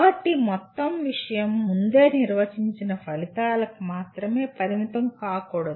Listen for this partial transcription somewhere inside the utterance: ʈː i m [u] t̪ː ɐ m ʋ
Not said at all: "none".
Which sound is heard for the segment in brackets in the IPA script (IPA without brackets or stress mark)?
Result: ɔ